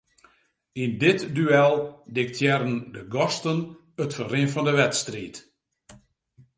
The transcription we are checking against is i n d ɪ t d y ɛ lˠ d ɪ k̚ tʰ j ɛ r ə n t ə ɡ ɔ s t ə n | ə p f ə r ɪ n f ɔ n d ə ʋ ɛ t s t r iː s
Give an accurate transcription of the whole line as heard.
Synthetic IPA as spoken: i n d ɪ t d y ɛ lˠ d ɪ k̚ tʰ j ɛ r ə n d ə ɡ ɔ s t ə n | ə t f ə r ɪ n f ɔ n d ə ʋ ɛ t s t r iː t